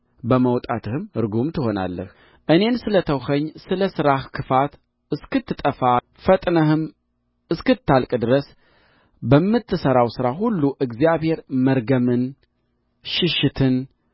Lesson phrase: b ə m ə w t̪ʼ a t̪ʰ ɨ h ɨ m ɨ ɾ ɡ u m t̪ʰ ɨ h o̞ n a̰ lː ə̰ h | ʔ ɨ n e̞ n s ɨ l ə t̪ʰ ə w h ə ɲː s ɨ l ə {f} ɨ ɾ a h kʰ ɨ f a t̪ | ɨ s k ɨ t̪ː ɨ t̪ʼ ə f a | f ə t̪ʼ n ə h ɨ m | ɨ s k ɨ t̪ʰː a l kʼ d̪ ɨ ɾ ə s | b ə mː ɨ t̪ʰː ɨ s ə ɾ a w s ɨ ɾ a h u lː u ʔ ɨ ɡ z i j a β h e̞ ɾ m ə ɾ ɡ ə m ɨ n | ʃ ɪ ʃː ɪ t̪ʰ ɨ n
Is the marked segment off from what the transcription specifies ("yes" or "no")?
yes